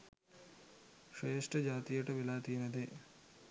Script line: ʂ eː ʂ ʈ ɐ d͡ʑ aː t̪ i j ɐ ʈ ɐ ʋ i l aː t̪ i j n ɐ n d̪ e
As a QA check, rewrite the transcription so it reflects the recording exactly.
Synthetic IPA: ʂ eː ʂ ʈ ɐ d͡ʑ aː t̪ i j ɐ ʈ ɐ ʋ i l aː t̪ i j n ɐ d̪ e